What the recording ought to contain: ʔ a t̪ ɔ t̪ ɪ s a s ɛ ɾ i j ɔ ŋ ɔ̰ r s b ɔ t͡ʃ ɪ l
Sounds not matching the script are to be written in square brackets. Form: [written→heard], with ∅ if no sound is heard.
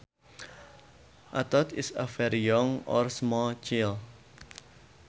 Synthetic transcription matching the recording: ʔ a t̪ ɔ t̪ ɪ s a [s→f] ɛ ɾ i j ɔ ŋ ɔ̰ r s [b→m] ɔ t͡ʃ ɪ l

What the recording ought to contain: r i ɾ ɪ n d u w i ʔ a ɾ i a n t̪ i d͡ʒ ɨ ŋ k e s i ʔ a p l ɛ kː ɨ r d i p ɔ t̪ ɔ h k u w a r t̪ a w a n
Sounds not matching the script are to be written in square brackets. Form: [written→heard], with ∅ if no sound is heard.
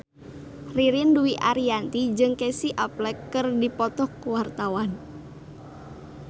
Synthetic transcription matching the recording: r i ɾ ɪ n d u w i ʔ a ɾ i a n t̪ i d͡ʒ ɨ ŋ k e s i ʔ a p l ɛ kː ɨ r d i p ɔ t̪ ɔ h k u w a r t̪ a w a n

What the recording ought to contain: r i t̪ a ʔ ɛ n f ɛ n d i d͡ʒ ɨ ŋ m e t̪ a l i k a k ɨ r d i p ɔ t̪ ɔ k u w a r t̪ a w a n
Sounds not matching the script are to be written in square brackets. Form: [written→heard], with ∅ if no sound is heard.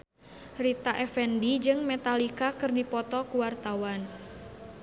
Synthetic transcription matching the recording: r i t̪ a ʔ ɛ [n→∅] f ɛ n d i d͡ʒ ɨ ŋ m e t̪ a l i k a k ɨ r d i p ɔ t̪ ɔ k u w a r t̪ a w a n

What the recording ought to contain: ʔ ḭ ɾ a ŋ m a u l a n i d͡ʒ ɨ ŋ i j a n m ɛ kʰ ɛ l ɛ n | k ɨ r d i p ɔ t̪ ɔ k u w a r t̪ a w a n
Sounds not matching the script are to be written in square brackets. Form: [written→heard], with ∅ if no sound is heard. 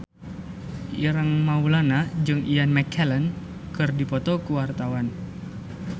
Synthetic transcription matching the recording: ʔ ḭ ɾ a ŋ m a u l a n [i→a] d͡ʒ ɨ ŋ i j a n m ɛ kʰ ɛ l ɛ n | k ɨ r d i p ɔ t̪ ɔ k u w a r t̪ a w a n

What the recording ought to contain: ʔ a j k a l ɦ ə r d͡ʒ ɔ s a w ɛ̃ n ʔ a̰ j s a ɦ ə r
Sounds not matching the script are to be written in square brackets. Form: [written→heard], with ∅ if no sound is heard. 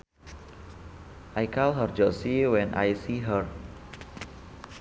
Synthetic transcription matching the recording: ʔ a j k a l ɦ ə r d͡ʒ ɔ s [a→i] w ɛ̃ n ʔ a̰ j s [a→i] ɦ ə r

